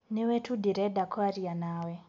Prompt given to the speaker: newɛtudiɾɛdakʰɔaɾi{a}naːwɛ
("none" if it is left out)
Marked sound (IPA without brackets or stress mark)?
a